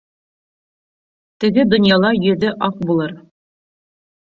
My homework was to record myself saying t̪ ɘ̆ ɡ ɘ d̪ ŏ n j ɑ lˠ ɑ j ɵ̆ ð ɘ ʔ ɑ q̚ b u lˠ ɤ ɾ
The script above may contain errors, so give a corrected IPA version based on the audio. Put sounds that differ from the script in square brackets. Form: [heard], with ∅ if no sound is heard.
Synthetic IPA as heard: t̪ ɘ̆ ɡ ɘ d̪ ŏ n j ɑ lˠ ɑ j ɵ̆ ð ɘ ʔ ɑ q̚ b u lˠ ɤ ɾ